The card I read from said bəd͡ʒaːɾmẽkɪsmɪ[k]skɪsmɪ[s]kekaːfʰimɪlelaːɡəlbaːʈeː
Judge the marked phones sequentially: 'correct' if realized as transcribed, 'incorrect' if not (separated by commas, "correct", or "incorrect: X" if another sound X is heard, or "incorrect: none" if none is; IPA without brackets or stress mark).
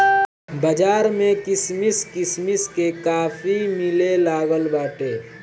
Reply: incorrect: none, correct